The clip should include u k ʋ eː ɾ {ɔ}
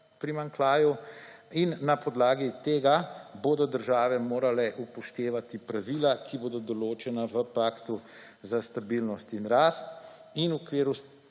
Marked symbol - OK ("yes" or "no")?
no